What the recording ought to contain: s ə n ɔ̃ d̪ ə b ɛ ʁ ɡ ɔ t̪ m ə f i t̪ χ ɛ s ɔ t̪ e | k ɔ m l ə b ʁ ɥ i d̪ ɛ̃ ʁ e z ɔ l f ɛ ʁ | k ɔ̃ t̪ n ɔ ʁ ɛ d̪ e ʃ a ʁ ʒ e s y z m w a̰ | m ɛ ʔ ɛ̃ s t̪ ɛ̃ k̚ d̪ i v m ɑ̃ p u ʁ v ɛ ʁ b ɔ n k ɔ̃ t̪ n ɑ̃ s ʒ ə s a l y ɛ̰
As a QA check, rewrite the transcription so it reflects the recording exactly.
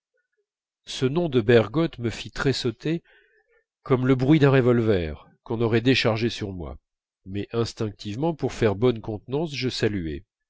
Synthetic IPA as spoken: s ə n ɔ̃ d̪ ə b ɛ ʁ ɡ ɔ t̪ m ə f i t̪ χ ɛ s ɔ t̪ e | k ɔ m l ə b ʁ ɥ i d̪ ɛ̃ ʁ e v ɔ l v ɛ ʁ | k ɔ̃ n ɔ ʁ ɛ d̪ e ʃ a ʁ ʒ e s y ʁ m w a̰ | m ɛ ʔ ɛ̃ s t̪ ɛ̃ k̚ t̪ i v m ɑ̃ p u ʁ f ɛ ʁ b ɔ n k ɔ̃ t̪ n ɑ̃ s ʒ ə s a l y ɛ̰